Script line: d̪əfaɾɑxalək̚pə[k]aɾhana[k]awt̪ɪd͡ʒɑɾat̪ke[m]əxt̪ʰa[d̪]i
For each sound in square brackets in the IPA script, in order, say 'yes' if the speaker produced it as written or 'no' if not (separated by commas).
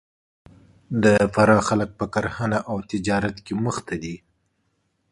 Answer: yes, no, yes, yes